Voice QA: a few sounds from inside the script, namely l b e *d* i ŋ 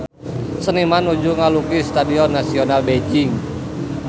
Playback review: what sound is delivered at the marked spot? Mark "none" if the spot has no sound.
d͡ʒ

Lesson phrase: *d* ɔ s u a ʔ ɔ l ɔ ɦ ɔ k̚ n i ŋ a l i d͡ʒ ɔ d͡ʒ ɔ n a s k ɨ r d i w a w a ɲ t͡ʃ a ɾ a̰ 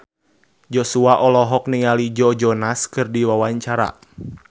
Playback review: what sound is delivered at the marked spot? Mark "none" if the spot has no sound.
d͡ʒ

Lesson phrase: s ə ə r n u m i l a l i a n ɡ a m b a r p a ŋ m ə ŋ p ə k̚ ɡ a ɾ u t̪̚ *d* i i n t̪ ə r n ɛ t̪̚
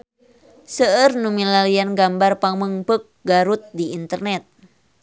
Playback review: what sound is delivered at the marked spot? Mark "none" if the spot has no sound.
d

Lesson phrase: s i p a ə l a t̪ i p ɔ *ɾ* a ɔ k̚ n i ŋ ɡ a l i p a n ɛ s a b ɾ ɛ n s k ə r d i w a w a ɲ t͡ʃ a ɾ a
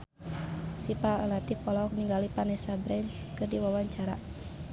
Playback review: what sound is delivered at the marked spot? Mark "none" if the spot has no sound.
l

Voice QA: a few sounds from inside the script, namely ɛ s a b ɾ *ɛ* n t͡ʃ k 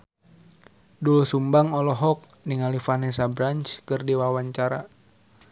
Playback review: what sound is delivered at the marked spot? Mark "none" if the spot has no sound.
a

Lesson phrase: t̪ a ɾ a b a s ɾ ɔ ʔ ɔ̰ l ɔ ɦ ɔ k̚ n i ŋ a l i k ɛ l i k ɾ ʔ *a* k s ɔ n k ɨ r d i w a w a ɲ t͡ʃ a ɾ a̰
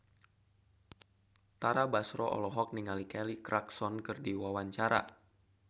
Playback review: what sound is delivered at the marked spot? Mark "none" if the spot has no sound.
a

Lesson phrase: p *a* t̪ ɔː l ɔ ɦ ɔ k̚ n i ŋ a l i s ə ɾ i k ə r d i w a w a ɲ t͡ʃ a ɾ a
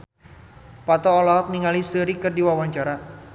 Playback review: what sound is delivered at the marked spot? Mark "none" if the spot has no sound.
a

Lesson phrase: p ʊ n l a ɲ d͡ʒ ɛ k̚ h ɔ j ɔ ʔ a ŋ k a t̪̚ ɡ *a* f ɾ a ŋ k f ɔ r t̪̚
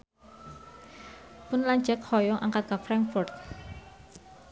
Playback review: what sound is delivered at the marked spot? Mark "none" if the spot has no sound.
a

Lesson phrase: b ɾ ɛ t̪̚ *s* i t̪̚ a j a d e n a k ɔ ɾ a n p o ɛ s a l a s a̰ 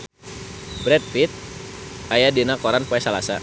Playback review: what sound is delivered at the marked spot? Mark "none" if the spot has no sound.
f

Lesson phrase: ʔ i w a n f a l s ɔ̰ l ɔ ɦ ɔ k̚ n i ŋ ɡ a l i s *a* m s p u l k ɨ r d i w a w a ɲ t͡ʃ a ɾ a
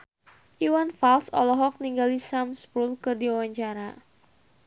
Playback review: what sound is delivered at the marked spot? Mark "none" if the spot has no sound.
a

